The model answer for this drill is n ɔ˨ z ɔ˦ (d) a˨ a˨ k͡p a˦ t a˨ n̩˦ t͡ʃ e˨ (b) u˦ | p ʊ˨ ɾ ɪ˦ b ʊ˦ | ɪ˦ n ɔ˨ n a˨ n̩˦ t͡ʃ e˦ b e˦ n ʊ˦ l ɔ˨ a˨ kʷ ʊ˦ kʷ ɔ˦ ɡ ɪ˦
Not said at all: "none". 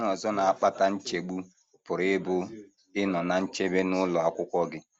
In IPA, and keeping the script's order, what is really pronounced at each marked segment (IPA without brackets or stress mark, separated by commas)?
n, ɡ͡b